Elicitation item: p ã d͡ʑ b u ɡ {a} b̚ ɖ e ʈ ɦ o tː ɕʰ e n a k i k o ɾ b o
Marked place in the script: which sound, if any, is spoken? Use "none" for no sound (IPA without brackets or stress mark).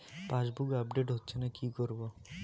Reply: a